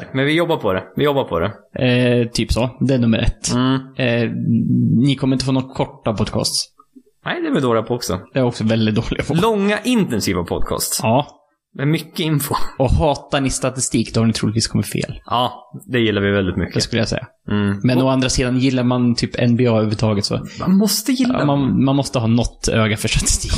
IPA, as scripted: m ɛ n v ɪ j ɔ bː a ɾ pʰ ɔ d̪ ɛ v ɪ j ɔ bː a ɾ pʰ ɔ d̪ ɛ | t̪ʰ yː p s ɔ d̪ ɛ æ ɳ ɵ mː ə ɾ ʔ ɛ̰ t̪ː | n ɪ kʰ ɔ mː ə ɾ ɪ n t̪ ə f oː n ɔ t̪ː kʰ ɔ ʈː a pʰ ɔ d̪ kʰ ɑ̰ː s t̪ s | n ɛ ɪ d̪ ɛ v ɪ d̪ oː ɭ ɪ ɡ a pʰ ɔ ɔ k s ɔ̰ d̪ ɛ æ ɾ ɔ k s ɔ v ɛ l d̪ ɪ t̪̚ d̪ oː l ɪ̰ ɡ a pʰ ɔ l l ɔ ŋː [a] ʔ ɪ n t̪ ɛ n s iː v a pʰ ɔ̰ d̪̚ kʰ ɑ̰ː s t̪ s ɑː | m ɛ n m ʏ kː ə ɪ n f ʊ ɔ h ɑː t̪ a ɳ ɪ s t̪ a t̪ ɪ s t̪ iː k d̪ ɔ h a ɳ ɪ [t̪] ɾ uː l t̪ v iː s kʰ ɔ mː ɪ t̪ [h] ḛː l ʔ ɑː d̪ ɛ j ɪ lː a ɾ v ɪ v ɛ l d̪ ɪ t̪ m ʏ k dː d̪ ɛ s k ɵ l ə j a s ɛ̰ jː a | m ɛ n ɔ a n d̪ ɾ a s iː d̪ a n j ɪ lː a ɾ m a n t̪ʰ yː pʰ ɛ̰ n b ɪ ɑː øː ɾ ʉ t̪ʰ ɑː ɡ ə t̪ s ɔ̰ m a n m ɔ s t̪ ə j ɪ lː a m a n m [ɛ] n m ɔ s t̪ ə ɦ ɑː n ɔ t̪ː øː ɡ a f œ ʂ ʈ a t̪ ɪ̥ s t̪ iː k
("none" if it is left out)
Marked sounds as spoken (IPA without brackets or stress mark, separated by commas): a, t̪ʰ, f, a